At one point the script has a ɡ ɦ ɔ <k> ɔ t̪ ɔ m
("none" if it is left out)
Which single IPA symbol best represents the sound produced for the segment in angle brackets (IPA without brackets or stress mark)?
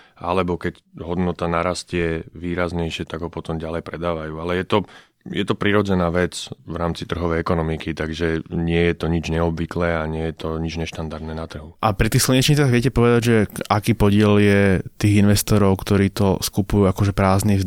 p